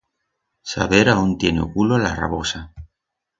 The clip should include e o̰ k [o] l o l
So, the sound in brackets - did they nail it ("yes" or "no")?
no